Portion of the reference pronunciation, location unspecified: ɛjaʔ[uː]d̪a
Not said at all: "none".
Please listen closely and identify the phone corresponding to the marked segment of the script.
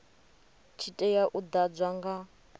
u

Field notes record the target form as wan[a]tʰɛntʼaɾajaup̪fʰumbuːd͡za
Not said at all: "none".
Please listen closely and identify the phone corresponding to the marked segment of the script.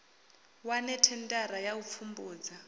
ɛ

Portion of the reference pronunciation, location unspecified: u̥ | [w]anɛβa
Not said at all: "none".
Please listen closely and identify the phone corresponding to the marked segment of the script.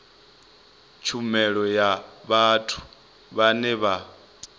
β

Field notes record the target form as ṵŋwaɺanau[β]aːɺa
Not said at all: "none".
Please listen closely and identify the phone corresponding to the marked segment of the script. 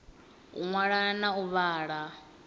β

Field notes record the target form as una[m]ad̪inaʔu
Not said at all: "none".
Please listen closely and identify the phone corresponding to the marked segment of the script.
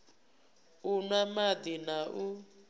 m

